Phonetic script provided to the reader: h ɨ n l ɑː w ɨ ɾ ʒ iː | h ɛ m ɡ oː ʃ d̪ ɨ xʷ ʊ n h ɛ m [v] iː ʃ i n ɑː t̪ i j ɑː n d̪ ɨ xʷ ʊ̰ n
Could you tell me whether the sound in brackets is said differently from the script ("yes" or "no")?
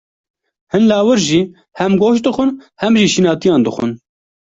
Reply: yes